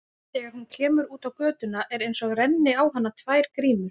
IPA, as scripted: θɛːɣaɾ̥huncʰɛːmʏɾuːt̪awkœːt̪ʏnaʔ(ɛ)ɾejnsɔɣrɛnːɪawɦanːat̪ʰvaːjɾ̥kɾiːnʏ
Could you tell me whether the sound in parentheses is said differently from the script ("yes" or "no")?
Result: no